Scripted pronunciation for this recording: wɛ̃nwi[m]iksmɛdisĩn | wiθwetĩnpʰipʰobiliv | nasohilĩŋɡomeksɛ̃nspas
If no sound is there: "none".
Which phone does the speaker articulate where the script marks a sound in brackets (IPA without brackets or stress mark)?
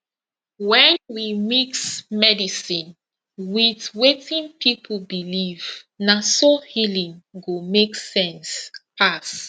m